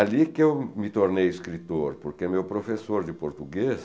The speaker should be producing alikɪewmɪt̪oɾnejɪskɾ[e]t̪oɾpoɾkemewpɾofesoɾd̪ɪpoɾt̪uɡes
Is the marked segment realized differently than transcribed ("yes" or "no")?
yes